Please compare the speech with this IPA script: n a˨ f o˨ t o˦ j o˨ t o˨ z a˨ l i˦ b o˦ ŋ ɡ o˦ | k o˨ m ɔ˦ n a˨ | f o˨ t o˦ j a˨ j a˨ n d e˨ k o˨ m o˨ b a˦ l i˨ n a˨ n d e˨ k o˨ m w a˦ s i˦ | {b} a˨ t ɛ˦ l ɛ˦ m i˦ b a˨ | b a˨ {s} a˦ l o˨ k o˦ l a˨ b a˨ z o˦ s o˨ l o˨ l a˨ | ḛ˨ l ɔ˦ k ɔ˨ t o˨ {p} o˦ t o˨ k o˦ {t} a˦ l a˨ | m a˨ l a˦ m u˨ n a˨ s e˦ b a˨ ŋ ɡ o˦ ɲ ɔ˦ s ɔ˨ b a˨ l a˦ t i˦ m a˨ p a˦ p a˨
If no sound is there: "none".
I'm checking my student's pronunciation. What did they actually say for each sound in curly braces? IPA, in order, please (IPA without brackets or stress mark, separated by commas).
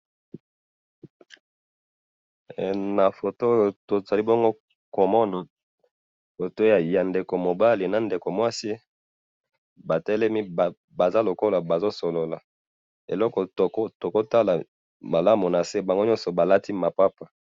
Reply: b, z, k, t